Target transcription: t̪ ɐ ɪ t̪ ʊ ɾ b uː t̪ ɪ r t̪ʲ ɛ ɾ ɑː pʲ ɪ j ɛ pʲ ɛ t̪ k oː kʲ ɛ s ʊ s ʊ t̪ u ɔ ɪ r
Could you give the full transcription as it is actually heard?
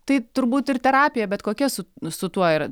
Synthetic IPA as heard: t̪ ɐ ɪ t̪ ʊ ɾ b uː t̪ ɪ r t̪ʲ ɛ ɾ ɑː pʲ ɪ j ɛ bʲ ɛ t̪ k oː kʲ ɛ s ʊ s ʊ t̪ u ɔ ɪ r